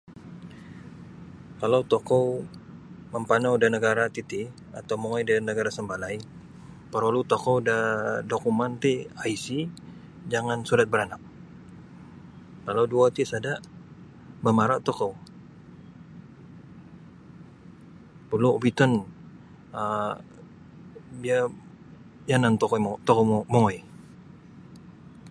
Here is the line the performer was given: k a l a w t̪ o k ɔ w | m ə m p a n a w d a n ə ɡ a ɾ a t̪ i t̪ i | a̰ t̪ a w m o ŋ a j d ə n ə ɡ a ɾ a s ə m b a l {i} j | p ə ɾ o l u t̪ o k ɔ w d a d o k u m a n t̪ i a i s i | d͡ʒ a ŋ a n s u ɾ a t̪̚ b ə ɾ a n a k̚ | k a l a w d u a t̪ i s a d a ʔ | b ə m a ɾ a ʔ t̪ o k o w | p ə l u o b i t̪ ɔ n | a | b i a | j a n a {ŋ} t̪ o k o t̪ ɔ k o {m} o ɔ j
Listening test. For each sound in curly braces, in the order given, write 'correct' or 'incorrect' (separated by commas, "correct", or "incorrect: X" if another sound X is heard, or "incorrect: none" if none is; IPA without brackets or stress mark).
incorrect: a, incorrect: n, correct